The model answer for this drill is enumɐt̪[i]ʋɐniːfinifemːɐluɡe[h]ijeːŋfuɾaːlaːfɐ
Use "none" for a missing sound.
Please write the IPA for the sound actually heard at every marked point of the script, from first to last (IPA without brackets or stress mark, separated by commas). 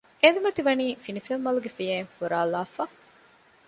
i, f